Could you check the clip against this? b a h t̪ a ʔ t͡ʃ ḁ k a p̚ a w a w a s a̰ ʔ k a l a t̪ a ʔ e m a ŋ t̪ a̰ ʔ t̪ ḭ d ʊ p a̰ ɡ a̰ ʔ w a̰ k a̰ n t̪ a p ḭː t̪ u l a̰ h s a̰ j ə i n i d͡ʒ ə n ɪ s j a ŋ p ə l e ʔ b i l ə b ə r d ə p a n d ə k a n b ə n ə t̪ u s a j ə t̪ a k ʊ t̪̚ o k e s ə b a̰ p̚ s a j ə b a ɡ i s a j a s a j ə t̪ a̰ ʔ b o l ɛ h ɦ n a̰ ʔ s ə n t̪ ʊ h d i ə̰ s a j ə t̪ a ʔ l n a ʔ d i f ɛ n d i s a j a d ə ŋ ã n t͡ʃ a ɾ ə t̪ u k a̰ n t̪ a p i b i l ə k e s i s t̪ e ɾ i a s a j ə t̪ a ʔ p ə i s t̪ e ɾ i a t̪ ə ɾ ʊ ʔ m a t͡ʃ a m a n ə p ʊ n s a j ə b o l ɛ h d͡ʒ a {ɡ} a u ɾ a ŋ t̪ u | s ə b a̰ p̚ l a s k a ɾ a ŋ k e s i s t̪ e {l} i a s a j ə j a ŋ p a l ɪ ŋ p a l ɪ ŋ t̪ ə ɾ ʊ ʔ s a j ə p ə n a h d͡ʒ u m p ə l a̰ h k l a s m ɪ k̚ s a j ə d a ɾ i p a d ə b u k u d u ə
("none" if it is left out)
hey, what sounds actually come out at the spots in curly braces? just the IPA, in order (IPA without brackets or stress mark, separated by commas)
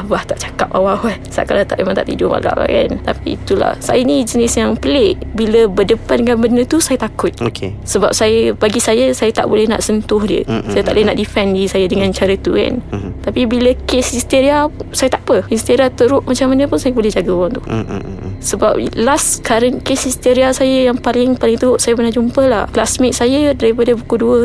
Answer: ɡ, ɾ